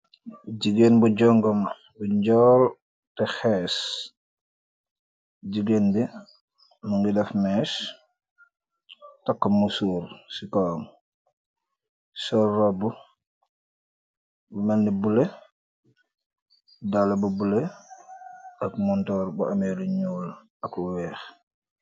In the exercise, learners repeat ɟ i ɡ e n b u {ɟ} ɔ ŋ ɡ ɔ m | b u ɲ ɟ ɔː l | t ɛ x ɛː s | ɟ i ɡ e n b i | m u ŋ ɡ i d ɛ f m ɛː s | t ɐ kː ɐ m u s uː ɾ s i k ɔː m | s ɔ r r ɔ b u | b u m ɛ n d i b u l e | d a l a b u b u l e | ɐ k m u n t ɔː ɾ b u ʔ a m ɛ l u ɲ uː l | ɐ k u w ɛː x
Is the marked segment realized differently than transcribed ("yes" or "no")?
no